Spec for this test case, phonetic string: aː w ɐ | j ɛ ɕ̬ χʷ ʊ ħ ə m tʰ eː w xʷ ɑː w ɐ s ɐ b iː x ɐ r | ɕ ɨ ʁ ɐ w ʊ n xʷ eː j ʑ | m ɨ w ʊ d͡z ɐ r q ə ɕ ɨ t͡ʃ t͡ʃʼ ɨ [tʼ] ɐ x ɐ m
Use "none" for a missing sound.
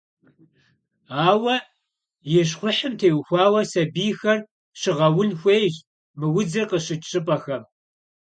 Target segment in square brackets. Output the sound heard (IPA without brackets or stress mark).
pʼ